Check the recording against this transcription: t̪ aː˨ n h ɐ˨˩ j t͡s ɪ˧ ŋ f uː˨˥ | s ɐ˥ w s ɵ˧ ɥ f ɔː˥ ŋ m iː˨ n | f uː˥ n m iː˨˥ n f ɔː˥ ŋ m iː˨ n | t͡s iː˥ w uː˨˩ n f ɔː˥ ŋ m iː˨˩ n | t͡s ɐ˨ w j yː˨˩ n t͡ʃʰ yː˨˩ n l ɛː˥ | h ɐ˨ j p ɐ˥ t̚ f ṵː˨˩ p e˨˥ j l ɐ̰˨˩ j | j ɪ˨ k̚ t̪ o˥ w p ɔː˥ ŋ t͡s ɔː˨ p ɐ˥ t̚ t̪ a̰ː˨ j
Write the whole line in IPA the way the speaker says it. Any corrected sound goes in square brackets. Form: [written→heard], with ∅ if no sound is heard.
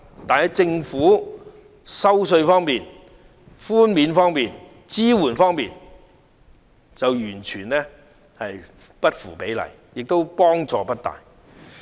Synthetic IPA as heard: t̪ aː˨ n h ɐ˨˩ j t͡s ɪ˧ ŋ f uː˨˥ | s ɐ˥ w s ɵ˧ ɥ f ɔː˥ ŋ m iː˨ n | f uː˥ n m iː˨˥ n f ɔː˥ ŋ m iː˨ n | t͡s iː˥ w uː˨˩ n f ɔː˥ ŋ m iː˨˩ n | t͡s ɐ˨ w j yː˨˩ n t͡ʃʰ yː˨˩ n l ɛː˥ | h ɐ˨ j p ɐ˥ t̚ f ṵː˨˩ p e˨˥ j l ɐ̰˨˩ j | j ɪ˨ k̚ t̪ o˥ w p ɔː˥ ŋ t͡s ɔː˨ p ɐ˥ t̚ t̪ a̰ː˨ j